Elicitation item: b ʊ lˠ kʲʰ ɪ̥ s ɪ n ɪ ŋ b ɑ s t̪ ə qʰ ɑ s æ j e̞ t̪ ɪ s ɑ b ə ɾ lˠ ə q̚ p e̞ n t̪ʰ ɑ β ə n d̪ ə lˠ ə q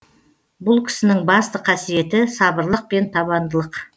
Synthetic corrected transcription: b ʊ lˠ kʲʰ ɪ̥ s ɪ n ɪ ŋ b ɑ s t̪ ə qʰ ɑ s i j e̞ t̪ ɪ s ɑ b ə ɾ lˠ ə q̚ p e̞ n t̪ʰ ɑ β ɑ n d̪ ə lˠ ə q